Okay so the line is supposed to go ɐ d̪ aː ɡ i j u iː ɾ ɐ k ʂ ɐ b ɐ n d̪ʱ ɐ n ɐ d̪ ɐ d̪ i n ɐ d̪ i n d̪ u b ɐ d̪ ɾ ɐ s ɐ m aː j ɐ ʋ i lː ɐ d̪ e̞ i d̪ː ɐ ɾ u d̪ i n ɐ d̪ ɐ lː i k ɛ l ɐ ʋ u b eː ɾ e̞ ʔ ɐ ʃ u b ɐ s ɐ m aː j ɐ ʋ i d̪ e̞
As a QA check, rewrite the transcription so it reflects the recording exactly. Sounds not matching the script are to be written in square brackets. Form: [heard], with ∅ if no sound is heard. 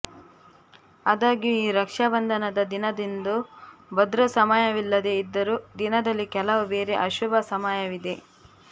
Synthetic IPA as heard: ɐ d̪ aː ɡ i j u iː ɾ ɐ k ʂ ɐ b ɐ n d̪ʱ ɐ n ɐ d̪ ɐ d̪ i n ɐ d̪ i n d̪ u b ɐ d̪ ɾ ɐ s ɐ m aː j ɐ ʋ i lː ɐ d̪ e̞ i d̪ː ɐ ɾ u d̪ i n ɐ d̪ ɐ lː i k ɛ l ɐ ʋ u b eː ɾ e̞ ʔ ɐ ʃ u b ɐ s ɐ m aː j ɐ ʋ i d̪ e̞

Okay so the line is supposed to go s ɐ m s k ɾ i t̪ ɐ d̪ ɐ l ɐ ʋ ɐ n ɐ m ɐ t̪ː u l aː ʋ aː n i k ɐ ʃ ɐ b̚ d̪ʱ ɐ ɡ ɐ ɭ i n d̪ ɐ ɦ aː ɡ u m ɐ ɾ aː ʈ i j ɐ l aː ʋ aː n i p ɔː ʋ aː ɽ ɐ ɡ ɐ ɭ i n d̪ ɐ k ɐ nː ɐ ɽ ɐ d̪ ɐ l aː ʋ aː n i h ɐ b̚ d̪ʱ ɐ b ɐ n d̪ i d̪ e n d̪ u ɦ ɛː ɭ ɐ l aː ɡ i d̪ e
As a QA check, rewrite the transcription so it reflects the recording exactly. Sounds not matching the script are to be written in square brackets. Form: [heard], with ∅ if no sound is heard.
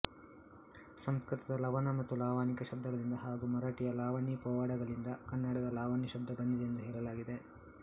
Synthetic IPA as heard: s ɐ m s k ɾ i t̪ ɐ d̪ ɐ l ɐ ʋ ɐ n ɐ m ɐ t̪ː u l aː ʋ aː n i k ɐ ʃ ɐ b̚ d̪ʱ ɐ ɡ ɐ ɭ i n d̪ ɐ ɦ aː ɡ u m ɐ ɾ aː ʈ i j ɐ l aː ʋ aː n i p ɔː ʋ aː ɽ ɐ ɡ ɐ ɭ i n d̪ ɐ k ɐ nː ɐ ɽ ɐ d̪ ɐ l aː ʋ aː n i [ʃ] ɐ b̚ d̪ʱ ɐ b ɐ n d̪ i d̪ e n d̪ u ɦ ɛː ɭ ɐ l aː ɡ i d̪ e

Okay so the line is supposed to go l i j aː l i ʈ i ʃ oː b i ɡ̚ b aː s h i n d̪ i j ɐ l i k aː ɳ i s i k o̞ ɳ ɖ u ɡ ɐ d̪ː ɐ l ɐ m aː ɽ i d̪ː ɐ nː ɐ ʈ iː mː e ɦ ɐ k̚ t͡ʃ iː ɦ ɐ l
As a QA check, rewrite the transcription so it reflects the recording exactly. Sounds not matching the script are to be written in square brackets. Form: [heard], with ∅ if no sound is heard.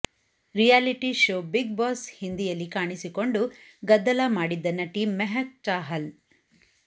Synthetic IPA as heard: [ɾ] i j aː l i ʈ i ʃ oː b i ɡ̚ b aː s h i n d̪ i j ɐ [lː] i k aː ɳ i s i k o̞ ɳ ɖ u ɡ ɐ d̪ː ɐ l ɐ m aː ɽ i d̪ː ɐ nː ɐ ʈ iː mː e ɦ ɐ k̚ t͡ʃ [aː] ɦ ɐ l

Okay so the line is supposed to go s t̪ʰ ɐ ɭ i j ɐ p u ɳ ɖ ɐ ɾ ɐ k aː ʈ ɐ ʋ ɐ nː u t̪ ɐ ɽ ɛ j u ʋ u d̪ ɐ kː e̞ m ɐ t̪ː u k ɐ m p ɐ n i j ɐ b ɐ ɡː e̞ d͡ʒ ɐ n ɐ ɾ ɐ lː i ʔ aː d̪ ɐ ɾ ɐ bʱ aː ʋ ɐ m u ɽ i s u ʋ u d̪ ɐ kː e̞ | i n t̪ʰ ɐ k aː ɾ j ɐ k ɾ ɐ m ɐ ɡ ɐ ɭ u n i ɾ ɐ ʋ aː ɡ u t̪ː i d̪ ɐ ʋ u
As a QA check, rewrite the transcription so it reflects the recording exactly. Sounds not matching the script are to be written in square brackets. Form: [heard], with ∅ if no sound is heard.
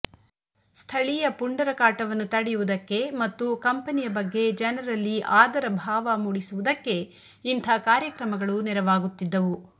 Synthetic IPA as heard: s t̪ʰ ɐ ɭ i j ɐ p u ɳ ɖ ɐ ɾ ɐ k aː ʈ ɐ ʋ ɐ nː u t̪ ɐ ɽ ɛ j u ʋ u d̪ ɐ kː e̞ m ɐ t̪ː u k ɐ m p ɐ n i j ɐ b ɐ ɡː e̞ d͡ʒ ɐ n ɐ ɾ ɐ lː i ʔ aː d̪ ɐ ɾ ɐ bʱ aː ʋ ɐ m u ɽ i s u ʋ u d̪ ɐ kː e̞ | i n t̪ʰ ɐ k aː ɾ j ɐ k ɾ ɐ m ɐ ɡ ɐ ɭ u n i ɾ ɐ ʋ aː ɡ u t̪ː i [d̪ː] ɐ ʋ u

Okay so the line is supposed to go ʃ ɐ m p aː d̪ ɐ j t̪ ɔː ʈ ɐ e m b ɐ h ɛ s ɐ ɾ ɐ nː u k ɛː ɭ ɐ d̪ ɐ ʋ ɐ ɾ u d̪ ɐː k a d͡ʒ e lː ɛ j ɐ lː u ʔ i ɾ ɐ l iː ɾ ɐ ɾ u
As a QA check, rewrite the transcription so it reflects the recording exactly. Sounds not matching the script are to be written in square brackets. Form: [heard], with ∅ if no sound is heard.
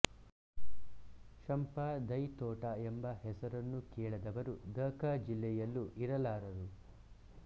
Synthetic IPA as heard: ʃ ɐ m p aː d̪ ɐ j t̪ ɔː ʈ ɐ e m b ɐ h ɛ s ɐ ɾ ɐ nː u k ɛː ɭ ɐ d̪ ɐ ʋ ɐ ɾ u d̪ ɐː k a d͡ʒ [i] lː ɛ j ɐ lː u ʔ i ɾ ɐ l [aː] ɾ ɐ ɾ u

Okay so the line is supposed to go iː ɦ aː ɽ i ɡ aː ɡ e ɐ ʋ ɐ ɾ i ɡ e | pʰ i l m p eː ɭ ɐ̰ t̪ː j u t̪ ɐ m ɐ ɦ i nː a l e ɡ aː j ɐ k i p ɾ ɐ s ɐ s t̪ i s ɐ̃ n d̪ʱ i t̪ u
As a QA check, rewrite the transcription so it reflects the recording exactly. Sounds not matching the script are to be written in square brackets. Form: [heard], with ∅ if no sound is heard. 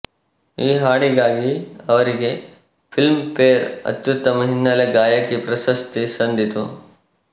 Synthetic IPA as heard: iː ɦ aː ɽ i ɡ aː ɡ [i] ɐ ʋ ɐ ɾ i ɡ e | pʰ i l m p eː [ɾ] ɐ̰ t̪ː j u t̪ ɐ m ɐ ɦ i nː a l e ɡ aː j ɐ k i p ɾ ɐ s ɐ s t̪ i s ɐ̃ n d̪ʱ i t̪ u

